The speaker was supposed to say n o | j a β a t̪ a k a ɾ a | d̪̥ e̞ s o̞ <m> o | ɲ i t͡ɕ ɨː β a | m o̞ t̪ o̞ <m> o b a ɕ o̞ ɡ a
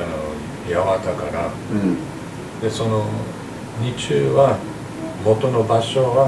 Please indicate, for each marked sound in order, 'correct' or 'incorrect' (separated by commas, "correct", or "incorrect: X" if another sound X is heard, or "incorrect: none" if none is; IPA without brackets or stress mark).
incorrect: n, incorrect: n